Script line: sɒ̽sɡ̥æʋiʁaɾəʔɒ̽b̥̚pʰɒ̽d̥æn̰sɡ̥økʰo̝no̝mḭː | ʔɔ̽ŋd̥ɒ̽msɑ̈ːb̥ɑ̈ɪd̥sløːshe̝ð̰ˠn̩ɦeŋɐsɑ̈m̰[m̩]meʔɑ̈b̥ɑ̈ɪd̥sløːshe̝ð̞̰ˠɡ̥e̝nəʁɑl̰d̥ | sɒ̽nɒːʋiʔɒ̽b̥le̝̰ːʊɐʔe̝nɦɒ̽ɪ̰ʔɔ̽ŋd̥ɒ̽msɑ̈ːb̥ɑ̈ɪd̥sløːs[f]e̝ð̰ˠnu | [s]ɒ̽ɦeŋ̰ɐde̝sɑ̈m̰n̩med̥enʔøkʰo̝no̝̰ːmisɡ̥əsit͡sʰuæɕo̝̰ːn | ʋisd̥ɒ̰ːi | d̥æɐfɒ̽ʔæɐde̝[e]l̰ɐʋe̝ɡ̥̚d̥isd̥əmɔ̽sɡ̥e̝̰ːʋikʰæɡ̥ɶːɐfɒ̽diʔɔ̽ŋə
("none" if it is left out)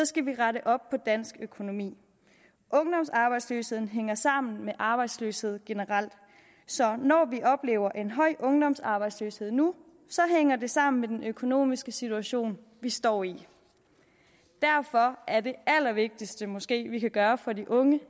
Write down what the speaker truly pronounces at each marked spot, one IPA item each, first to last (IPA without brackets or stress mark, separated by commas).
n̩, h, s, æ